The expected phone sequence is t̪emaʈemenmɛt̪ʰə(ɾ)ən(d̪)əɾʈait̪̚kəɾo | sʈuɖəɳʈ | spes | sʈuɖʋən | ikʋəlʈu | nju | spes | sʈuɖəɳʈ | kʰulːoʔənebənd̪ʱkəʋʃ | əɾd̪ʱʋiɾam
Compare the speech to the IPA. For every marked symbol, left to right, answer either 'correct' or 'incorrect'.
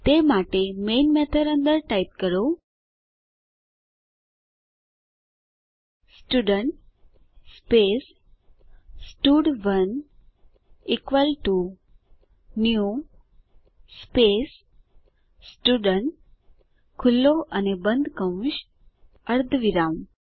correct, correct

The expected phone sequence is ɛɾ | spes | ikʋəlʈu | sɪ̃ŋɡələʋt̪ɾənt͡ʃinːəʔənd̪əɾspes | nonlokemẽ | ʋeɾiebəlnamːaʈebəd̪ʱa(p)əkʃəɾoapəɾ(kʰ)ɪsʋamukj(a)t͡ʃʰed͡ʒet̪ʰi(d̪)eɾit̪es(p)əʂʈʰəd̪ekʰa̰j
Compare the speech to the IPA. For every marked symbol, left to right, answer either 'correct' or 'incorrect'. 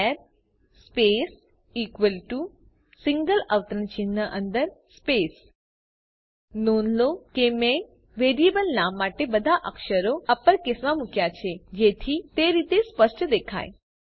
incorrect: ʔ, incorrect: k, correct, incorrect: t̪, correct

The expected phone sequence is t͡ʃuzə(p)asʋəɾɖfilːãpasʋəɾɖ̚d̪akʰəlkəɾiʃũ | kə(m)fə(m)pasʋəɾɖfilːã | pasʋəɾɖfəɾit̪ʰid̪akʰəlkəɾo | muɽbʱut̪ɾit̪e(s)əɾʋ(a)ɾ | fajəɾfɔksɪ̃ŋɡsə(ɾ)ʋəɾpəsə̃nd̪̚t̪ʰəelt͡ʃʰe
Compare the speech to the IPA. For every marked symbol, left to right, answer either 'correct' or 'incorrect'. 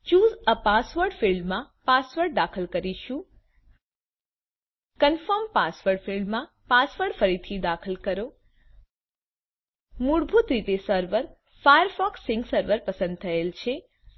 correct, incorrect: n, correct, correct, incorrect: ə, correct

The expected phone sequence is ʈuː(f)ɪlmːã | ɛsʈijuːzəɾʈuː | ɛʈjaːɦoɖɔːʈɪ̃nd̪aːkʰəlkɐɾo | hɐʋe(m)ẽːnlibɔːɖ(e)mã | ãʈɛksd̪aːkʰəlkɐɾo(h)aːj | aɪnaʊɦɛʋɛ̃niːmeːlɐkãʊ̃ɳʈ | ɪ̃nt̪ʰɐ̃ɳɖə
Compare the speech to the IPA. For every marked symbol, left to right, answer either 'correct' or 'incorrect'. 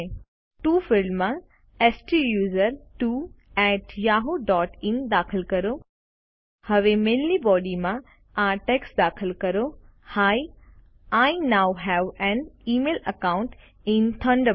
correct, correct, incorrect: i, correct

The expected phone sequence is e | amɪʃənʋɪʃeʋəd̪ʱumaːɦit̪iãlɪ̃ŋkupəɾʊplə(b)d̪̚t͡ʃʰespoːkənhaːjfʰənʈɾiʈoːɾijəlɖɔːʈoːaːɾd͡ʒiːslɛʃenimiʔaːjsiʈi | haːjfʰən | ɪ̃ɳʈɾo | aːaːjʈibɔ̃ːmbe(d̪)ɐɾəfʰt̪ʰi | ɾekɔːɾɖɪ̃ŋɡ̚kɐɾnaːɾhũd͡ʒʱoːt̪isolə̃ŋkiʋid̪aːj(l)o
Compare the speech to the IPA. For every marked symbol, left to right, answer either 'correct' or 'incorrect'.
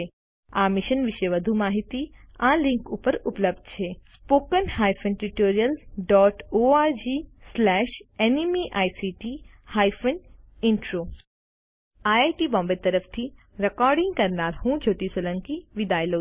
correct, incorrect: t̪, correct

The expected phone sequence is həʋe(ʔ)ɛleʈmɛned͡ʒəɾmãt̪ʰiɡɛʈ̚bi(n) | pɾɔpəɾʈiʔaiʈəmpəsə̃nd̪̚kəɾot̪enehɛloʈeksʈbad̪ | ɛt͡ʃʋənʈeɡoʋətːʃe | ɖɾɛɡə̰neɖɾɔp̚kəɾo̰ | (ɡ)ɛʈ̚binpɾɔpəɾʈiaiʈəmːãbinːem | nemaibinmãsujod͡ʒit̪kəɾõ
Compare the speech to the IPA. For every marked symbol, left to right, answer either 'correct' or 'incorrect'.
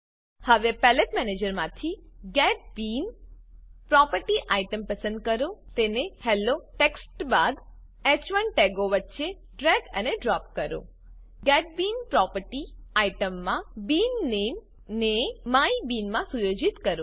incorrect: p, correct, correct

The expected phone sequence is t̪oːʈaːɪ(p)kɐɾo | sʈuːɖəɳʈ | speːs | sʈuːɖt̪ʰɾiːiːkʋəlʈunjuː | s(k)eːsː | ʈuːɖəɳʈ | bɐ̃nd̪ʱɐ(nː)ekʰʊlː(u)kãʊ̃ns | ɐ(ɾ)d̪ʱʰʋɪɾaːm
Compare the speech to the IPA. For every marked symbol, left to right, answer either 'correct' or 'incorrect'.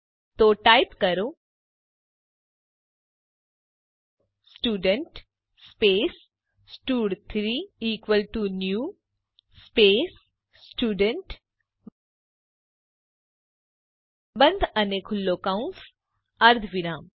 correct, incorrect: p, incorrect: n, incorrect: o, correct

